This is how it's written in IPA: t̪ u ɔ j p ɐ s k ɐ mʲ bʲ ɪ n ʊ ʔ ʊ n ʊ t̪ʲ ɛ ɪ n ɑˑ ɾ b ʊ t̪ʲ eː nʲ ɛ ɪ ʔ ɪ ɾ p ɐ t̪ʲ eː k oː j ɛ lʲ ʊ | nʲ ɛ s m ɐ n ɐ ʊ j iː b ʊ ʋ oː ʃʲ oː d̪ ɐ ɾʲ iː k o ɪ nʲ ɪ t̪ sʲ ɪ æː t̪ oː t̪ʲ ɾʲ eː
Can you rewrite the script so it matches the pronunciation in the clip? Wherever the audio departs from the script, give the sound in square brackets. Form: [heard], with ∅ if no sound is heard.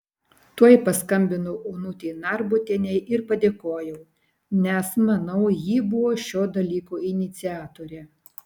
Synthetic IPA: t̪ u ɔ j p ɐ s k ɐ mʲ bʲ ɪ n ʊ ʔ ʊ n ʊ t̪ʲ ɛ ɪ n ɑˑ ɾ b ʊ t̪ʲ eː nʲ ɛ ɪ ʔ ɪ ɾ p ɐ [d̪ʲ] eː k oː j ɛ [∅] ʊ | nʲ ɛ s m ɐ n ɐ ʊ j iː b ʊ ʋ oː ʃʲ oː d̪ ɐ [lʲ] iː k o ɪ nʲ ɪ t̪ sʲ ɪ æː t̪ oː [∅] ɾʲ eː